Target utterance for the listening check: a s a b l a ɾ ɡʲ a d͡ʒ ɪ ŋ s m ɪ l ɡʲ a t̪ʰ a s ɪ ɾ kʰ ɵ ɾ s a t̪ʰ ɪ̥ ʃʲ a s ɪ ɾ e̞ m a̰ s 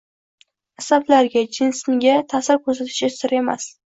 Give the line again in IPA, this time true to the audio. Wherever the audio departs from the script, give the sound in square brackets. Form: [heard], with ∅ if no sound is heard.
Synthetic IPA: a s a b l a ɾ ɡʲ a d͡ʒ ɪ [n] s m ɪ [∅] ɡʲ a t̪ʰ a s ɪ ɾ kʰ ɵ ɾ s a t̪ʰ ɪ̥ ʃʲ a s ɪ ɾ e̞ m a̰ s